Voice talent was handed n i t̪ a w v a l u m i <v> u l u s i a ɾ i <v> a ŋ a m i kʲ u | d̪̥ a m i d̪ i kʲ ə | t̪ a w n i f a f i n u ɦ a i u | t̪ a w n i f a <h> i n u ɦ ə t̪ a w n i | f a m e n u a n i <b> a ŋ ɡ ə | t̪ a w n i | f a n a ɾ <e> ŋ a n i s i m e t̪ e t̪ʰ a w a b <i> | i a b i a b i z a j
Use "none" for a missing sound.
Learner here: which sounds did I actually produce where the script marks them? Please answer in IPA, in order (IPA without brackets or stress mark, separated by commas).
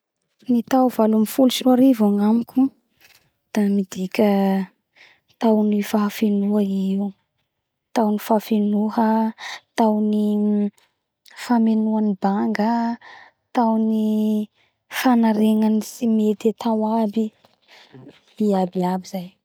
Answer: f, v, f, b, e, i